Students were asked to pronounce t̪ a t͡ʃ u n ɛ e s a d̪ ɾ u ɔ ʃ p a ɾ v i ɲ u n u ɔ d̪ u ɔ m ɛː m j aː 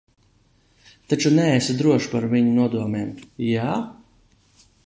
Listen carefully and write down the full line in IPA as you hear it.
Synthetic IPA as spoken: t̪ a t͡ʃ u n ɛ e s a d̪ ɾ u ɔ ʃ p a ɾ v i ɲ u n u ɔ d̪ u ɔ m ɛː m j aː